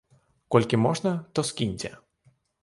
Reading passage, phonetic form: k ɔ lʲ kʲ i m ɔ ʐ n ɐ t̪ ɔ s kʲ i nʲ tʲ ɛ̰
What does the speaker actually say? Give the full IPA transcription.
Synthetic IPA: k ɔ lʲ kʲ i m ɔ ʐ n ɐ t̪ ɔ s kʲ i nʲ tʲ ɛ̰